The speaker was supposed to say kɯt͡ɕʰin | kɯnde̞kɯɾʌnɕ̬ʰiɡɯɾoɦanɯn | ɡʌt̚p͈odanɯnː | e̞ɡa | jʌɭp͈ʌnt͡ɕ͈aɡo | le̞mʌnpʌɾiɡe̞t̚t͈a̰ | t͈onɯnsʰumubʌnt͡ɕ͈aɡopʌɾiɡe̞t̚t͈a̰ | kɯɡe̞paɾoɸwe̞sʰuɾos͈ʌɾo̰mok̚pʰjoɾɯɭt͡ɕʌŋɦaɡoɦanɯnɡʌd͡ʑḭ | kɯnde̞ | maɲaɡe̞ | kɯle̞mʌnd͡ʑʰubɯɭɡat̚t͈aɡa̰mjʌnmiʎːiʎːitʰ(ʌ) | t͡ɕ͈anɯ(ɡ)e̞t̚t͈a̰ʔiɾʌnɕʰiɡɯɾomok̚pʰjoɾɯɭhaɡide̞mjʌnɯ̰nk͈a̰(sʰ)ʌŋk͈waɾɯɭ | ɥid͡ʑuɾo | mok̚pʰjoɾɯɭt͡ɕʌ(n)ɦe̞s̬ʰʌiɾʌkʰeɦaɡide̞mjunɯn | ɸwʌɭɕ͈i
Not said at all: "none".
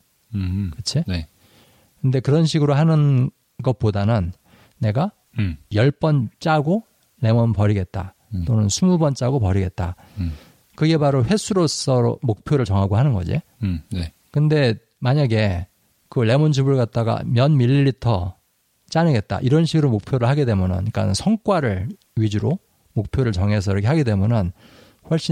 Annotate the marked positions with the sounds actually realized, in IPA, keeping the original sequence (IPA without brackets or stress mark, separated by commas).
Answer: ʌ, ɡ, sʰ, ŋ